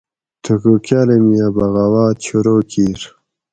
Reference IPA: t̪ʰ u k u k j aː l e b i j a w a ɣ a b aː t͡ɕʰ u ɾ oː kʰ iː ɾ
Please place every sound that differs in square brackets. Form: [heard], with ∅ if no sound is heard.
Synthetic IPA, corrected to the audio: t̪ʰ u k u k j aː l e [m] i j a [b] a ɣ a [w] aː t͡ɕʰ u ɾ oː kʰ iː ɾ